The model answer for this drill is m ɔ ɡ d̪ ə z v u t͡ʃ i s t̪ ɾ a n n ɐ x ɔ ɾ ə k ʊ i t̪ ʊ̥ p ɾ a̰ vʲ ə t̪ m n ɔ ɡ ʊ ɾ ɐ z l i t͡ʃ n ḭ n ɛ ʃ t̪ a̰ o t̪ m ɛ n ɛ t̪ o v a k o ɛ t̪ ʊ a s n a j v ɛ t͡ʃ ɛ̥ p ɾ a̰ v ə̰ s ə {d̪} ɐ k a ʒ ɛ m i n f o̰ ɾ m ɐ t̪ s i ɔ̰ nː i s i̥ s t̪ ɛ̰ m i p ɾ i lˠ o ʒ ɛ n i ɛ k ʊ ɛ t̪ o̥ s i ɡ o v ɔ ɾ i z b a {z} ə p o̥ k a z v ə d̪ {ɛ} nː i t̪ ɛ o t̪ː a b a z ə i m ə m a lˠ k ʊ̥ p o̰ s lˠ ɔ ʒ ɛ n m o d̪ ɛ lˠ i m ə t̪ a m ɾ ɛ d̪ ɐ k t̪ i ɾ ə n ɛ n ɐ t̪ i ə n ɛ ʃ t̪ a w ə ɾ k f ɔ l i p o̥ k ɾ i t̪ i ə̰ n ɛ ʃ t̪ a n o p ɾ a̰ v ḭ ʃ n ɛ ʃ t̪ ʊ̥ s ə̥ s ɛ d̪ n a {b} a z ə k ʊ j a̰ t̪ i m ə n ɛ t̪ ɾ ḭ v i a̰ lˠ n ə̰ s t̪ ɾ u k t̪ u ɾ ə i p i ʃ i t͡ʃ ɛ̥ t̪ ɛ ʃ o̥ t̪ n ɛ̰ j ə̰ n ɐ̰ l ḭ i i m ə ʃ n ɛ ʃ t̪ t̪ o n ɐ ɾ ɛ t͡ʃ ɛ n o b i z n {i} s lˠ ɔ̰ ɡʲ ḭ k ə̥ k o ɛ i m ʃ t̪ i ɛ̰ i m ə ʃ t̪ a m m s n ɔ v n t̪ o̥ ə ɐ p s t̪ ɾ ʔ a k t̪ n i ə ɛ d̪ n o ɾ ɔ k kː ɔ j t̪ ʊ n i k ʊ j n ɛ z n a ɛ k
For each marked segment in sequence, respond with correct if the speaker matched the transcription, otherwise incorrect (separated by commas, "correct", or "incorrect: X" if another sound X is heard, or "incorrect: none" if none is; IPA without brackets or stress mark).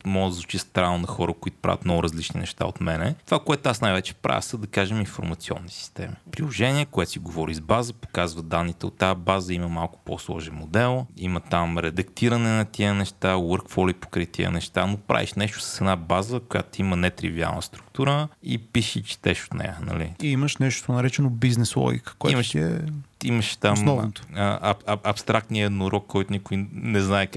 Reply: correct, correct, incorrect: a, correct, incorrect: ɛ